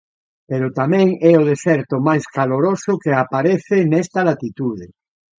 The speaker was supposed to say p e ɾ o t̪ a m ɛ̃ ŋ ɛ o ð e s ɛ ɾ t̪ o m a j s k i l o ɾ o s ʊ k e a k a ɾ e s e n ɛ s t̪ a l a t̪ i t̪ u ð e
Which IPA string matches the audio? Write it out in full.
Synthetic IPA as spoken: p e ɾ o t̪ a m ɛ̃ ŋ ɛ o ð e s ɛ ɾ t̪ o m a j s k a l o ɾ o s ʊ k e a p a ɾ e θ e n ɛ s t̪ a l a t̪ i t̪ u ð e